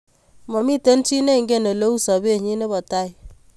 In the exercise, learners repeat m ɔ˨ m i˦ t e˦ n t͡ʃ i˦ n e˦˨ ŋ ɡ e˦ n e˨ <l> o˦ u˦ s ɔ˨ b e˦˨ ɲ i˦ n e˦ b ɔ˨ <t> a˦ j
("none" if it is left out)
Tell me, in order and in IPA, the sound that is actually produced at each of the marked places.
l, t

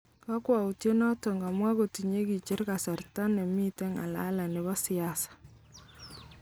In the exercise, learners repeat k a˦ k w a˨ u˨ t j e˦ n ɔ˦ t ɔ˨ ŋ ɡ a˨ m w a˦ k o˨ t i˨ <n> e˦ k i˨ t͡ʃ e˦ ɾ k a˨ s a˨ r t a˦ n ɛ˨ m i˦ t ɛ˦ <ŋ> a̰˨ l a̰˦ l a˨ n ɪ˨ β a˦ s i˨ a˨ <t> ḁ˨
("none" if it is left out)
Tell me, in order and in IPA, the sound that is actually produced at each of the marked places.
ɲ, ŋ, s

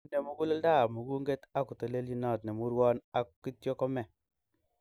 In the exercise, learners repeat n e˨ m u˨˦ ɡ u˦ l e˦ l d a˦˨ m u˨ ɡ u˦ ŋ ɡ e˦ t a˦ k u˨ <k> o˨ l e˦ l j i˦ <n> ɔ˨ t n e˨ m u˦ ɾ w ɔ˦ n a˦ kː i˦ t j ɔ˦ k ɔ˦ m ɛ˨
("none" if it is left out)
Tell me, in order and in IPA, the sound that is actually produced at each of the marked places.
t, n

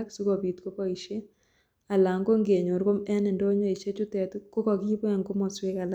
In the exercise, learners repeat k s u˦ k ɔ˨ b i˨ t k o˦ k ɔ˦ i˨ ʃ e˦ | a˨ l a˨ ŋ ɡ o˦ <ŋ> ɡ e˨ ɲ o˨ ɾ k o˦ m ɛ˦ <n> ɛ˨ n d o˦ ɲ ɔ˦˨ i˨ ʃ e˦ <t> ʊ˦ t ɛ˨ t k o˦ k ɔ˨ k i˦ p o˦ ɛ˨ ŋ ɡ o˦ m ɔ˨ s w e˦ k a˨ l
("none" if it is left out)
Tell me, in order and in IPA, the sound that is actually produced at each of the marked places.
ŋ, n, t͡ʃ

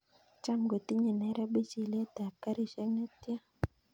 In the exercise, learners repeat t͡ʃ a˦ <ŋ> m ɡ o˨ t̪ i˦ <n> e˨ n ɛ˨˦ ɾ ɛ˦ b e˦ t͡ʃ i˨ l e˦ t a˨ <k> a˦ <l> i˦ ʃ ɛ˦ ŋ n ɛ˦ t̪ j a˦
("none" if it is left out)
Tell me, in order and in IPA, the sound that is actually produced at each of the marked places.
none, ɲ, k, ɾ

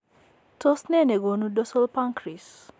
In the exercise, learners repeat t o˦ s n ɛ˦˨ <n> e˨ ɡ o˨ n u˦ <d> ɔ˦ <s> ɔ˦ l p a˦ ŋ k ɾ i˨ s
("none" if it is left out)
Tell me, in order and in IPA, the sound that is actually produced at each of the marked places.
n, d, s

